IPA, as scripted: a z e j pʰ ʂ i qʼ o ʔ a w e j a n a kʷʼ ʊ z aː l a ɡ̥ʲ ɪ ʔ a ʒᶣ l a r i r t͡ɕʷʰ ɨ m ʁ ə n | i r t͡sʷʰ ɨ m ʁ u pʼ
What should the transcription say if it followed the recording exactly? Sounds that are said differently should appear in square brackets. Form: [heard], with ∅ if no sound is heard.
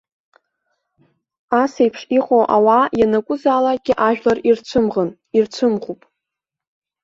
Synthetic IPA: a [s] e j pʰ ʂ i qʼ o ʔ a w [a] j a n a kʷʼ ʊ z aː l a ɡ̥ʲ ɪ ʔ a ʒᶣ l a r i r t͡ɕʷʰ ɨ m ʁ ə n | i r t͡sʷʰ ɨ m ʁ u pʼ